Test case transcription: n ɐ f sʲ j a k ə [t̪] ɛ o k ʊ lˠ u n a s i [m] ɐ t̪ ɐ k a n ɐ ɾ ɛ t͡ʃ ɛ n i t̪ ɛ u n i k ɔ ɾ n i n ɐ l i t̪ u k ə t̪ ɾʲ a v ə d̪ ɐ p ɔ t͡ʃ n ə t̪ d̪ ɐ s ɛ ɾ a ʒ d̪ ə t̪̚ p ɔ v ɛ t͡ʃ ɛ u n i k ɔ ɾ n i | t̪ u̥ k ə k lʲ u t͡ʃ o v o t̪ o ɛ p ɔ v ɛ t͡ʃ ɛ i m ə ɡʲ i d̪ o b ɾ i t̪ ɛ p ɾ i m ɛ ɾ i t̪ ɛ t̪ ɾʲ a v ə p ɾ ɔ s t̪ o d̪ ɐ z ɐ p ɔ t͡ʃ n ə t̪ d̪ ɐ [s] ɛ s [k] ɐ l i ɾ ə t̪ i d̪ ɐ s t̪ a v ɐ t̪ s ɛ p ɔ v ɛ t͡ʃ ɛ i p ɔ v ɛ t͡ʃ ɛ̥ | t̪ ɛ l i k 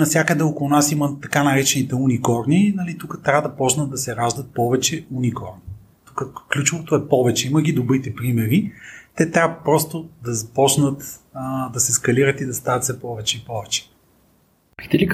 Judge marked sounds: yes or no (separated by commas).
no, yes, yes, yes